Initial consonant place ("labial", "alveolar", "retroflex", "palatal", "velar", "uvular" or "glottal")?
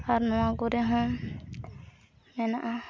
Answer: alveolar